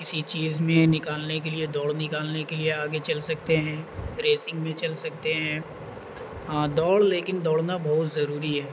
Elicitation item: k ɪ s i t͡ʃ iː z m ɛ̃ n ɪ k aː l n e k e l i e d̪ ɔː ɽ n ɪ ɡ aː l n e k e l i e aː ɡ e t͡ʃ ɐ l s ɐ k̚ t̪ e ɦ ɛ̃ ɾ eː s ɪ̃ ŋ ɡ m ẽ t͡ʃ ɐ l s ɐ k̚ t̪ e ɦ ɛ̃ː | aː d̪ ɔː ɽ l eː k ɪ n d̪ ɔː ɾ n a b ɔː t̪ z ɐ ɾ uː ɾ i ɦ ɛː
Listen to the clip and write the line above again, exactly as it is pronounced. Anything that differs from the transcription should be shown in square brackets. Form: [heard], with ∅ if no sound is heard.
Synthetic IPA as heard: k ɪ s i t͡ʃ iː z m [ẽ] n ɪ k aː l n e k e l i e d̪ ɔː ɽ n ɪ [k] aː l n e k e l i e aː ɡ e t͡ʃ ɐ l s ɐ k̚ t̪ e ɦ ɛ̃ ɾ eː s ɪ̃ ŋ ɡ m ẽ t͡ʃ ɐ l s ɐ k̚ t̪ e ɦ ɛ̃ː | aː d̪ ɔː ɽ l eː k ɪ n d̪ ɔː [ɽ] n a b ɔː t̪ z ɐ ɾ uː ɾ i ɦ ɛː